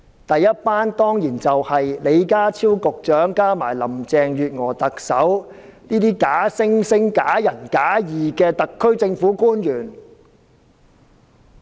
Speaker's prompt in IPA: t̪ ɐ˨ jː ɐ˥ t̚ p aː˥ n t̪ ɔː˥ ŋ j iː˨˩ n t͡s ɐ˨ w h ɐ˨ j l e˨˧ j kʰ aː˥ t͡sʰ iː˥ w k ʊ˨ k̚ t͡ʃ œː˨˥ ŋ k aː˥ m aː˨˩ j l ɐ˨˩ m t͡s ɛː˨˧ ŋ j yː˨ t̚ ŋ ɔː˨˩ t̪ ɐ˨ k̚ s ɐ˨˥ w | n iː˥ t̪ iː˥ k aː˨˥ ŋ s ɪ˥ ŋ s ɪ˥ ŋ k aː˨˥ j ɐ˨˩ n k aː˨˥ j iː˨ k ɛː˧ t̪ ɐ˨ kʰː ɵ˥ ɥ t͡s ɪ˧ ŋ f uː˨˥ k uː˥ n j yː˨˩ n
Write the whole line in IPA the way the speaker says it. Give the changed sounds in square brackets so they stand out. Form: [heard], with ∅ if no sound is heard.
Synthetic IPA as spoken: t̪ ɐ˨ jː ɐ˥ t̚ p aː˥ n t̪ ɔː˥ ŋ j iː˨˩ n t͡s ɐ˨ w h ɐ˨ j l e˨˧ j [k] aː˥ t͡sʰ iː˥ w k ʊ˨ k̚ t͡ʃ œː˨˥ ŋ k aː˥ m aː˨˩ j l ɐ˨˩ m t͡s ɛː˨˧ ŋ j yː˨ t̚ ŋ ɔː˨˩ t̪ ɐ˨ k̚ s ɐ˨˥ w | n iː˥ t̪ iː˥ k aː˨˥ [∅] s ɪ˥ ŋ s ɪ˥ ŋ k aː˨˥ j ɐ˨˩ n k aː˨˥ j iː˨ k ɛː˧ t̪ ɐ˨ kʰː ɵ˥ ɥ t͡s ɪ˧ ŋ f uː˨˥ k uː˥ n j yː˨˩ n